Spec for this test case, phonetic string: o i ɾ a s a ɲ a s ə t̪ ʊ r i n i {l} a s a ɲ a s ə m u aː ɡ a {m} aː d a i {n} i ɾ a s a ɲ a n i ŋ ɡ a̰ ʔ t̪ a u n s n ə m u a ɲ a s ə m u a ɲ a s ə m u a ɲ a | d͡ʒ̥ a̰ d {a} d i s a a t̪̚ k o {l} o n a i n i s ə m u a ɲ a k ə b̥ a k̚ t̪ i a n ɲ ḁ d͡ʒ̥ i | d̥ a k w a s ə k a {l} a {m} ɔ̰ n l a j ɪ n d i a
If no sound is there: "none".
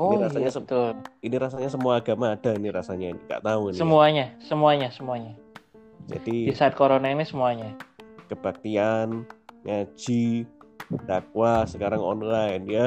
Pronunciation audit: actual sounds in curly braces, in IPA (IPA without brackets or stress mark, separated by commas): ɾ, m, n, i, ɾ, ɾ, ŋ